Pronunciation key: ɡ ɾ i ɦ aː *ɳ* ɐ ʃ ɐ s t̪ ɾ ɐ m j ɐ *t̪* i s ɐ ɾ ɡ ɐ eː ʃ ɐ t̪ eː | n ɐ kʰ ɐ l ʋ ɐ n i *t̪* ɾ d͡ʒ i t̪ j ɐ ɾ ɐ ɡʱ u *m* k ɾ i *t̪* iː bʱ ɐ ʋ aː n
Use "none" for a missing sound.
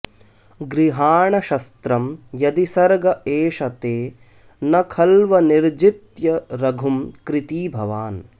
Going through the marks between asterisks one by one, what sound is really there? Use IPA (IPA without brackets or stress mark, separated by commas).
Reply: ɳ, d̪, none, m, t̪